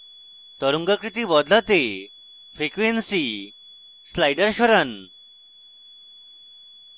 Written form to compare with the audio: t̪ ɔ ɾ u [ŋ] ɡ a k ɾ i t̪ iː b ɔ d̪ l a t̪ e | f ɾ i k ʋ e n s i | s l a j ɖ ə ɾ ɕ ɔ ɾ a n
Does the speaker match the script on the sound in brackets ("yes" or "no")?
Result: yes